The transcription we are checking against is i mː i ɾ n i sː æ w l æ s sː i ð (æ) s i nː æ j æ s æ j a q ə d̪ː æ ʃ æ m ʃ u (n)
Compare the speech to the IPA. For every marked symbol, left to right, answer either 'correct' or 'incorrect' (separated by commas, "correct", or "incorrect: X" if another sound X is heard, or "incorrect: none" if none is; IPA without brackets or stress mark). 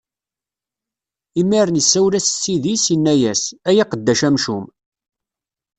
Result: incorrect: i, incorrect: m